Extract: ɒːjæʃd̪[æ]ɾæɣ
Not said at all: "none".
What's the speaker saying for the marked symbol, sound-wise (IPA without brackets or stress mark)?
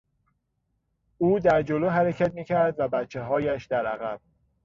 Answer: æ